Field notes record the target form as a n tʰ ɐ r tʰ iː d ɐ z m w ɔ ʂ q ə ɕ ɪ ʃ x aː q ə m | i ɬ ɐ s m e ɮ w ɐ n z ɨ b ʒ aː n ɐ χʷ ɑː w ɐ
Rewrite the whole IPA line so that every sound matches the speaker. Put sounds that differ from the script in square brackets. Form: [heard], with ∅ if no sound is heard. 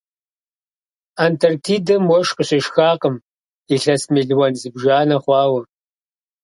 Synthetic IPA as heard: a n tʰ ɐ r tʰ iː d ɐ [∅] m w ɔ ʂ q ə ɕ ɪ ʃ x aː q ə m | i ɬ ɐ s m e ɮ w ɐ n z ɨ b ʒ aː n ɐ χʷ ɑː w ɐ